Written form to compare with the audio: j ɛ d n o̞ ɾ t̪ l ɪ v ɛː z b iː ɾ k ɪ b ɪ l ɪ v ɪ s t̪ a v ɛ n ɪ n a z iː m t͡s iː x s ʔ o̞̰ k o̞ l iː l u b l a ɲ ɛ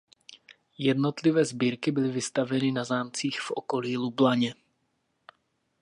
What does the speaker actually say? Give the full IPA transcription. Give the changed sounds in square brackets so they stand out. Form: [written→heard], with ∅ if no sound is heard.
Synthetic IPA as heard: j ɛ d n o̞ [ɾ→∅] t̪ l ɪ v ɛː z b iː ɾ k ɪ b ɪ l ɪ v ɪ s t̪ a v ɛ n ɪ n a z [iː→aː] m t͡s iː x [s→f] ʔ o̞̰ k o̞ l iː l u b l a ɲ ɛ